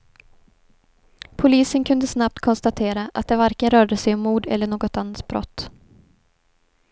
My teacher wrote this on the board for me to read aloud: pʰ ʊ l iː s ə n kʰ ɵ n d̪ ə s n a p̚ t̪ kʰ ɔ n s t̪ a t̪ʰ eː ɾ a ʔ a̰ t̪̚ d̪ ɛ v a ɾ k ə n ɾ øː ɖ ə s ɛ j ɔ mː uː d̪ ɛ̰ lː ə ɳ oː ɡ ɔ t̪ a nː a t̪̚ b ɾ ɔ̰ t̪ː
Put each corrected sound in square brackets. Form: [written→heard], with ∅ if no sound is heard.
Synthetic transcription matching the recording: pʰ ʊ l iː s ə n kʰ ɵ n d̪ ə s n a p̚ t̪ kʰ ɔ n s t̪ a t̪ʰ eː ɾ a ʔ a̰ t̪̚ d̪ ɛ v a ɾ k ə n ɾ [øː→œː] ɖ ə s ɛ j ɔ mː uː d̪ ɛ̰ lː ə ɳ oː ɡ ɔ t̪ a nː a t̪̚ b ɾ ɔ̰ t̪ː

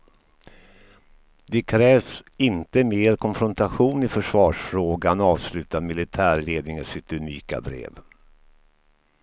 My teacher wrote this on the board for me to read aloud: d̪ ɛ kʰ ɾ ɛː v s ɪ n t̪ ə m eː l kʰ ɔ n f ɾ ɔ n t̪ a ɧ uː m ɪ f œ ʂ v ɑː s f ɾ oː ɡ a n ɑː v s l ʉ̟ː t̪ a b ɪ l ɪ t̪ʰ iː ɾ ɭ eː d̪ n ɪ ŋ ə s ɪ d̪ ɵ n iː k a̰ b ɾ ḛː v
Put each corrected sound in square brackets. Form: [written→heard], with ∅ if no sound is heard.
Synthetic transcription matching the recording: d̪ ɛ kʰ ɾ ɛː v s ɪ n t̪ ə m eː [l→ɾ] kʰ ɔ n f ɾ ɔ n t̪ a ɧ uː [m→n] ɪ f œ ʂ v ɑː [s→ʂ] f ɾ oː ɡ a n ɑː v s l ʉ̟ː t̪ a [b→m] ɪ l ɪ t̪ʰ [iː→æː] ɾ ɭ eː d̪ n ɪ ŋ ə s ɪ [d̪→t̪] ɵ n iː k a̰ b ɾ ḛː v

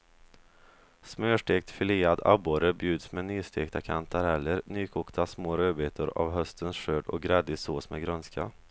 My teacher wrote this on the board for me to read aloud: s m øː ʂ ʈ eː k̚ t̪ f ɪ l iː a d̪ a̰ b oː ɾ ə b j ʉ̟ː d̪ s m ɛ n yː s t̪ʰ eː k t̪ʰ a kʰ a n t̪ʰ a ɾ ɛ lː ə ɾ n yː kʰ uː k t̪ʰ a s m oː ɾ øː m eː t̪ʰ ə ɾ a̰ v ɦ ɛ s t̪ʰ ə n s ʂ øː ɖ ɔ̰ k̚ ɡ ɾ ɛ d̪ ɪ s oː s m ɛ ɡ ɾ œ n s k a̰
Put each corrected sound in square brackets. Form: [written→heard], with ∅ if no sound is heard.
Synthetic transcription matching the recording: s m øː ʂ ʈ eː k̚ t̪ f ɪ l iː a d̪ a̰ b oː ɾ ə b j ʉ̟ː d̪ s m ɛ n yː s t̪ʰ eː k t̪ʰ a kʰ a n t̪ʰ a ɾ ɛ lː ə ɾ n yː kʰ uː k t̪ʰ a s m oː ɾ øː [m→b] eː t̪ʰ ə ɾ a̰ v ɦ [ɛ→œ] s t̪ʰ ə n s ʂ øː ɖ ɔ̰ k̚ ɡ ɾ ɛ d̪ ɪ s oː s m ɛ ɡ ɾ œ n s k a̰

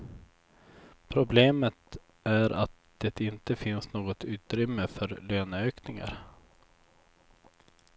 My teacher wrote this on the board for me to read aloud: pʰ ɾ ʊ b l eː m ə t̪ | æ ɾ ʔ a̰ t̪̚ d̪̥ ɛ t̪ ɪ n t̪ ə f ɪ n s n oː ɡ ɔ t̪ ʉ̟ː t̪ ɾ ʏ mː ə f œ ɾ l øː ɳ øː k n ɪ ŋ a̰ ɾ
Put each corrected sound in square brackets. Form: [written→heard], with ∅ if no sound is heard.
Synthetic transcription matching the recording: pʰ ɾ ʊ b l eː m ə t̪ | æ ɾ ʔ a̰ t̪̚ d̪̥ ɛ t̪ ɪ n t̪ ə f ɪ n s n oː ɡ ɔ t̪ ʉ̟ː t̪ ɾ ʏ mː ə f œ ɾ l øː [ɳ→n] øː k n ɪ ŋ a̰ ɾ

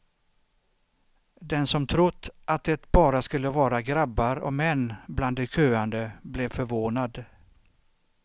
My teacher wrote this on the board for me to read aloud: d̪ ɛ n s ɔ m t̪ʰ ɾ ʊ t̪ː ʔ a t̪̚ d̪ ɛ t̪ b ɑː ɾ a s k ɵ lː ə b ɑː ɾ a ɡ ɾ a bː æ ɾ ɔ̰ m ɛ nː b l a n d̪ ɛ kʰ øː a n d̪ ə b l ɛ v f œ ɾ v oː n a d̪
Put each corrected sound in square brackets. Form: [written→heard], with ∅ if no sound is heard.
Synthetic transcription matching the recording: d̪ ɛ n s ɔ m t̪ʰ ɾ ʊ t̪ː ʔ a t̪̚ d̪ ɛ t̪ b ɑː ɾ a s k ɵ lː ə [b→v] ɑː ɾ a ɡ ɾ a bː [æ→a] ɾ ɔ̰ m ɛ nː b l a n d̪ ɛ kʰ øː a n d̪ ə b l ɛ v f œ ɾ v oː n a d̪

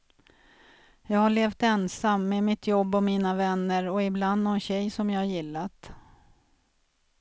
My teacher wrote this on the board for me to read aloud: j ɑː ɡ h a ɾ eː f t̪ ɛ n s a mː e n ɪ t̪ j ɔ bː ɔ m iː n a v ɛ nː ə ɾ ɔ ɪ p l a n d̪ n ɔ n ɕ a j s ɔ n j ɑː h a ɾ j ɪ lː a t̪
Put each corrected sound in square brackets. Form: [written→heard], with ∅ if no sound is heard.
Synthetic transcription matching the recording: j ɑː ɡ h a [ɾ→ɭ] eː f t̪ ɛ n s a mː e [n→m] ɪ t̪ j ɔ bː ɔ m iː n a v ɛ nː ə ɾ ɔ ɪ [p→b] l a n d̪ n ɔ n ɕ [a→ɛ] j s ɔ [n→m] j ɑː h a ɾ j ɪ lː a t̪

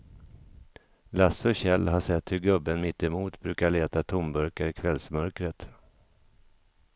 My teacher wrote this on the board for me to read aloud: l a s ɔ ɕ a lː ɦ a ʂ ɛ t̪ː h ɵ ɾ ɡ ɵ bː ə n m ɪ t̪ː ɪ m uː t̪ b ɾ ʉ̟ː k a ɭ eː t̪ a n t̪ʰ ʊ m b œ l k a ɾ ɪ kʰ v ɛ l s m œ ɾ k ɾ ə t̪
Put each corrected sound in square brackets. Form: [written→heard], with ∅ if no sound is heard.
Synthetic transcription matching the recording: l a s ɔ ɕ [a→ɛ] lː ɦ a ʂ ɛ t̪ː h ɵ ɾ ɡ ɵ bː ə n m ɪ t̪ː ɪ m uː t̪ b ɾ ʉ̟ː k a ɭ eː t̪ a [n→∅] t̪ʰ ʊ m b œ [l→ɾ] k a ɾ ɪ kʰ v ɛ l s m œ ɾ k ɾ ə t̪

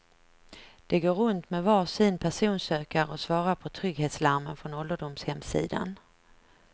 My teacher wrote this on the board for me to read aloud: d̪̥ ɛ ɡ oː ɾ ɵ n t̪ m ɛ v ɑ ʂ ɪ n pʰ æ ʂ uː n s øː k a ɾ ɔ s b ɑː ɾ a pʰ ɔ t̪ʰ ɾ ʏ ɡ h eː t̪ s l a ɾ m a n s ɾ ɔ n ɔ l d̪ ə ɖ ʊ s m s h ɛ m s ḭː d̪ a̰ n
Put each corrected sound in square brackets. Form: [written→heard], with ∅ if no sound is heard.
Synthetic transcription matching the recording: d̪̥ ɛ ɡ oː ɾ ɵ n t̪ m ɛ v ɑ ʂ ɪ n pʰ æ ʂ uː n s øː k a ɾ ɔ s [b→v] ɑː ɾ a pʰ ɔ t̪ʰ ɾ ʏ ɡ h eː t̪ s l a ɾ m [a→ə] n [s→f] ɾ ɔ n ɔ l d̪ ə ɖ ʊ [s→∅] m s h ɛ m s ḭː d̪ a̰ n

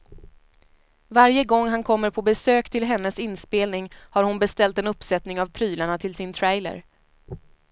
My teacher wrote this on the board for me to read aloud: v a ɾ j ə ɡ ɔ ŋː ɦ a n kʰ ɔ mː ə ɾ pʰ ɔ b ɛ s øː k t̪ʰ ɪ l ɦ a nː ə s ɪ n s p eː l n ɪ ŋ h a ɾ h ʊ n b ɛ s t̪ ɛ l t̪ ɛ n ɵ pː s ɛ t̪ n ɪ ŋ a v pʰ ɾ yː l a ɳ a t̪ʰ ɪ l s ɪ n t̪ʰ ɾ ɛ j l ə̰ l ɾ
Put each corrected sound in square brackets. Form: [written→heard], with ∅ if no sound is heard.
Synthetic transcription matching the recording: v a ɾ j ə ɡ ɔ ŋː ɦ a n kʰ ɔ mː ə ɾ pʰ ɔ b ɛ s øː k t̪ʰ ɪ l ɦ [a→ɛ] nː ə s ɪ n s p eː l n ɪ ŋ h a ɾ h ʊ n b ɛ s t̪ ɛ l t̪ ɛ n ɵ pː s ɛ t̪ n ɪ ŋ a v pʰ ɾ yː l a ɳ a t̪ʰ ɪ l s ɪ n t̪ʰ ɾ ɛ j l ə̰ [l→∅] ɾ

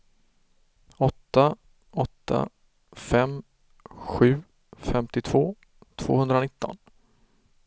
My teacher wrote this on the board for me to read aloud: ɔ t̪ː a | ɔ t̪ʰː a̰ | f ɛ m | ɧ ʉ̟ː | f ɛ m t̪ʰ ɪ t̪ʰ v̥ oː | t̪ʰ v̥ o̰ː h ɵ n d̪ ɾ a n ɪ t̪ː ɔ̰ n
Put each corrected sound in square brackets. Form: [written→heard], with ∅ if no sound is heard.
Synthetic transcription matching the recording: ɔ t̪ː a | ɔ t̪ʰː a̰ | f ɛ m | ɧ ʉ̟ː | f ɛ m [t̪ʰ→t̪] ɪ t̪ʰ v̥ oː | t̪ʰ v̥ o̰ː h ɵ n d̪ ɾ a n ɪ t̪ː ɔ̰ n

